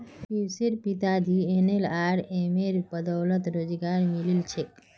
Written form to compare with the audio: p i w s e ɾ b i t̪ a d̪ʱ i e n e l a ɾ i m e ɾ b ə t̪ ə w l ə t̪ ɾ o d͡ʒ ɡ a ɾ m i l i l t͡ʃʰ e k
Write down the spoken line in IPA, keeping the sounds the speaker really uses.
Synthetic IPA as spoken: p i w s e ɾ p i t̪ a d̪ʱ i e n e l a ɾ e m e ɾ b ə d̪ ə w l ə t̪ ɾ o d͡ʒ ɡ a ɾ m i l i l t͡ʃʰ e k